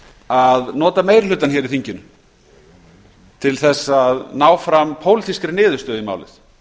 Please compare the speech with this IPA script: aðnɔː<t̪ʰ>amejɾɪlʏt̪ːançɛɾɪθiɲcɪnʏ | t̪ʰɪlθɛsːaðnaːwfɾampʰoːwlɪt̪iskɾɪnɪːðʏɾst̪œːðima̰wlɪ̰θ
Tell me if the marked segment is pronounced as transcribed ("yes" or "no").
no